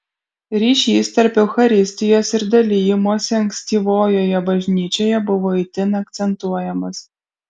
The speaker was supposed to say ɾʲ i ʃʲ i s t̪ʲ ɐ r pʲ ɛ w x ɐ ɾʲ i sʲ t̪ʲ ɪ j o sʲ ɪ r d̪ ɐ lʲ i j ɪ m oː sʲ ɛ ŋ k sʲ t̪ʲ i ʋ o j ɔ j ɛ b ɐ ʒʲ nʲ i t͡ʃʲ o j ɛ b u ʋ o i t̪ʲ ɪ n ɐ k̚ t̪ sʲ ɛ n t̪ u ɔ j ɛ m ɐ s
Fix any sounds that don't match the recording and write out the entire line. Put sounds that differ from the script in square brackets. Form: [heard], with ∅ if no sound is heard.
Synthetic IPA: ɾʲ i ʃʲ i s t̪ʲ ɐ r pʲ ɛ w x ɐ ɾʲ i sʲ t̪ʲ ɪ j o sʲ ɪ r d̪ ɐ lʲ i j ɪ m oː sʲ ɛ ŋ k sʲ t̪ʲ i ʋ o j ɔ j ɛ b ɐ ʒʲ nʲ i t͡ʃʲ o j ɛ b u ʋ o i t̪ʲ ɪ n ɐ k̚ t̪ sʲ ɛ n t̪ u ɔ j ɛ m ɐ s